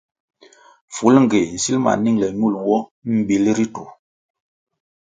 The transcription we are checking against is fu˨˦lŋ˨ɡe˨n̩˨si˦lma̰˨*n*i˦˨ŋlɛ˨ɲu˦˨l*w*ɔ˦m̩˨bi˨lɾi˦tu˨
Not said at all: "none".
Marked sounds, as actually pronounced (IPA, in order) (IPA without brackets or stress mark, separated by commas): n, w